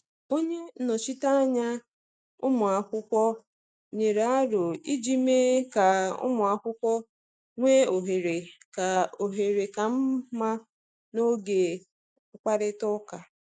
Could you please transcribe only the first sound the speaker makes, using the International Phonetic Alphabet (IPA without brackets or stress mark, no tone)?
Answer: o